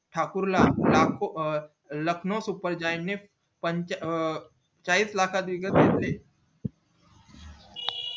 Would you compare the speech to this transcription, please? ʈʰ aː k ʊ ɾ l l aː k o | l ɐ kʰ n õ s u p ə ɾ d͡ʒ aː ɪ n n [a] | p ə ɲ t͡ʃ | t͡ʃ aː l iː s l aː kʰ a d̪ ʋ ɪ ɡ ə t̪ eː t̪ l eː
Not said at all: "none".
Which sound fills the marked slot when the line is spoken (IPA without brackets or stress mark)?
e